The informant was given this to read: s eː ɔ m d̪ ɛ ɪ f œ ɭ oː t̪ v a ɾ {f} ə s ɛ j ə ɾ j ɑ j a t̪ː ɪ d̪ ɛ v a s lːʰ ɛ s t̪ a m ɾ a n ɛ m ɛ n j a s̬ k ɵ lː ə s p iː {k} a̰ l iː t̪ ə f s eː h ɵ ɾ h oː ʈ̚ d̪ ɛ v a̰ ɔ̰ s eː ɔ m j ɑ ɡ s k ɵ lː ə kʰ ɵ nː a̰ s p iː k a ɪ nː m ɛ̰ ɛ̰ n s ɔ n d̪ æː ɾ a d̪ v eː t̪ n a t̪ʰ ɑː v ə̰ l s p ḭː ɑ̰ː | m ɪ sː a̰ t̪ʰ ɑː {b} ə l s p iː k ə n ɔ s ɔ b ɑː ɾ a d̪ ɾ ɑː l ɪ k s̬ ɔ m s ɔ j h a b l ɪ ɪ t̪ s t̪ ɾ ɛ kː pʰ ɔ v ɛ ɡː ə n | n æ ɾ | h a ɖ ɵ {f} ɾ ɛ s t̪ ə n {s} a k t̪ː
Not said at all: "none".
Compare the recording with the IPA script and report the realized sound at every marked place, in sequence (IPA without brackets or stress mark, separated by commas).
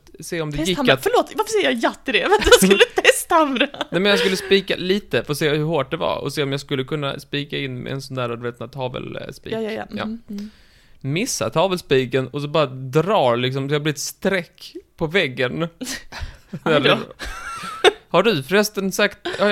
f, k, v, f, s